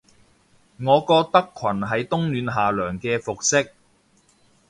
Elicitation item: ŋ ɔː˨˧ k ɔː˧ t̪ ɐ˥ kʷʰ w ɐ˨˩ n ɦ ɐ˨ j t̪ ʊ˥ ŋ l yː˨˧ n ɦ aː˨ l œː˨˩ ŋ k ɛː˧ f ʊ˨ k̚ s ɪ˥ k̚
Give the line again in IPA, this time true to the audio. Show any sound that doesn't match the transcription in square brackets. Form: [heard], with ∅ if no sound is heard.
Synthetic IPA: ŋ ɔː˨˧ k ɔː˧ t̪ ɐ˥ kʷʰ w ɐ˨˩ n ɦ ɐ˨ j t̪ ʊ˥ ŋ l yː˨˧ n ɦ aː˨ l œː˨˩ ŋ k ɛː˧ f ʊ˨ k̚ s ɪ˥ k̚